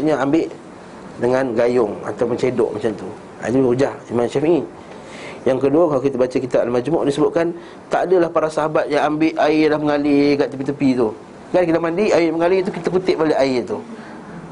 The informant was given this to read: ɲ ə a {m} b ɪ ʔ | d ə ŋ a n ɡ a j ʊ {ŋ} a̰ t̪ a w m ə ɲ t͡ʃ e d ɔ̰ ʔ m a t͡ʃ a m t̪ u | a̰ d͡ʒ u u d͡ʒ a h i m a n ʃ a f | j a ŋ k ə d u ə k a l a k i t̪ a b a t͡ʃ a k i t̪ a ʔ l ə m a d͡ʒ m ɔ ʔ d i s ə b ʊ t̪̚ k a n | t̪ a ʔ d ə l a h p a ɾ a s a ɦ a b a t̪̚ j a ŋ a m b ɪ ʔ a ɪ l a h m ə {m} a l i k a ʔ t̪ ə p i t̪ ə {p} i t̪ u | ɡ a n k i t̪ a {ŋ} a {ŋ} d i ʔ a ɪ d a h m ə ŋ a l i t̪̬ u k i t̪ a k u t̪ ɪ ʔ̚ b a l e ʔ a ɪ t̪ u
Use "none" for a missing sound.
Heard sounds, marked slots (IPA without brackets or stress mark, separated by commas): m, ŋ, ŋ, p, m, n